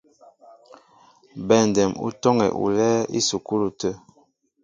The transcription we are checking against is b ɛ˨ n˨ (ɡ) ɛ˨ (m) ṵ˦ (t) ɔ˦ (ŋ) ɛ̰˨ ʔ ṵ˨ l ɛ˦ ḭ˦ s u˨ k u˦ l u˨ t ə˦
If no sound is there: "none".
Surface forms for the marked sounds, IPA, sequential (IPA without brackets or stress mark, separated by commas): d, m, t, ŋ